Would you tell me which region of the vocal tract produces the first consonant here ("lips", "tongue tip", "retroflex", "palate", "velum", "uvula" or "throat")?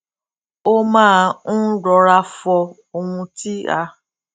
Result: lips